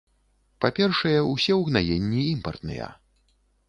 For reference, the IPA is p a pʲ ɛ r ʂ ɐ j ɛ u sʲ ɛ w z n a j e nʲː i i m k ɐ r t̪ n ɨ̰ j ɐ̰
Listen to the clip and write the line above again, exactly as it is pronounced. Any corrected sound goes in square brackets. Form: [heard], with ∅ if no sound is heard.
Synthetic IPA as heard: p a pʲ ɛ r ʂ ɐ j ɛ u sʲ ɛ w [ɣ] n a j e nʲː i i m [p] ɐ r t̪ n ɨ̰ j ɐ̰